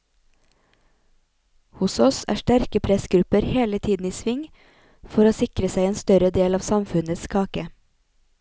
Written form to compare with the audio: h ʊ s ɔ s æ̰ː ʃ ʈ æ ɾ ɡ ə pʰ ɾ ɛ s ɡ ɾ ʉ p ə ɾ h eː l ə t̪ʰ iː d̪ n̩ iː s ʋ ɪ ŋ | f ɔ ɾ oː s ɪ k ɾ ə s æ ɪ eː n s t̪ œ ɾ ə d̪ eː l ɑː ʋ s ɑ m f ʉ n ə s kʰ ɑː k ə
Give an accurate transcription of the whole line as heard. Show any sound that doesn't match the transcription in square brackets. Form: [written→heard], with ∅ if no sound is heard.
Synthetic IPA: h ʊ s ɔ s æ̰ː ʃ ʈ æ ɾ [ɡ→k] ə pʰ ɾ ɛ s ɡ ɾ ʉ p ə ɾ h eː l ə t̪ʰ iː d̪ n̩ iː s ʋ ɪ ŋ | f ɔ ɾ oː s ɪ k ɾ ə s æ ɪ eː n s t̪ œ ɾ ə d̪ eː l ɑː ʋ s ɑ m f ʉ n ə s kʰ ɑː k ə